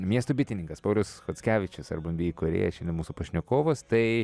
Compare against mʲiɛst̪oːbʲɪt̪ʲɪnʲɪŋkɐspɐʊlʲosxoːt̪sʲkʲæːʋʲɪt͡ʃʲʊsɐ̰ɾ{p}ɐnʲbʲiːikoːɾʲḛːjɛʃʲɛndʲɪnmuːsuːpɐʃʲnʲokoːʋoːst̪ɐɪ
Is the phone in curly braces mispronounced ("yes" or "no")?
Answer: yes